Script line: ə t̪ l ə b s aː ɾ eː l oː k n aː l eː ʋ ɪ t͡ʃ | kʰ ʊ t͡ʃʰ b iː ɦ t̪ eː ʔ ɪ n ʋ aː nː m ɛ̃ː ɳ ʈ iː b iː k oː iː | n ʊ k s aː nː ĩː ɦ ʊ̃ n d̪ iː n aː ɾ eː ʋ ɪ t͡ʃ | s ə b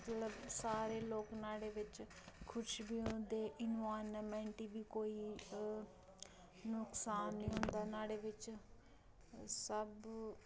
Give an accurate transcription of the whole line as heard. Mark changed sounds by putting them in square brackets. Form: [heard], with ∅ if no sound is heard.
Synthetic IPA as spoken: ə t̪ l ə b s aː ɾ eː l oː k n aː [ɽ] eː ʋ ɪ t͡ʃ | kʰ ʊ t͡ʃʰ b iː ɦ [d̪] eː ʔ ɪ n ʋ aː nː m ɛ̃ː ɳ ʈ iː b iː k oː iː | n ʊ k s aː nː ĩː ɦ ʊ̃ n d̪ [aː] n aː [ɽ] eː ʋ ɪ t͡ʃ | s ə b